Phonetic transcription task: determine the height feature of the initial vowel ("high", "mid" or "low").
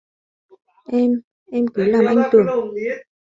mid